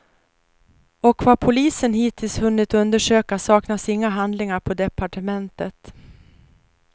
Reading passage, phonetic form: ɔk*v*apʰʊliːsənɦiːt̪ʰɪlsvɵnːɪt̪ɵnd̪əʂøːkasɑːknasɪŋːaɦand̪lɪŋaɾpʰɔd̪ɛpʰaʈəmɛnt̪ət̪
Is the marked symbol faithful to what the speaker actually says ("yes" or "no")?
yes